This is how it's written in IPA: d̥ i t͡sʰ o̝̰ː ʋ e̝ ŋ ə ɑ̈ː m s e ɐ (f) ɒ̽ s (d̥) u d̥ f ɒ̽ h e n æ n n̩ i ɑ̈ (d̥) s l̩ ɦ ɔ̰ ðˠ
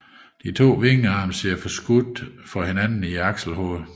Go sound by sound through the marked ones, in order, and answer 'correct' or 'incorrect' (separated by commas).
correct, incorrect, incorrect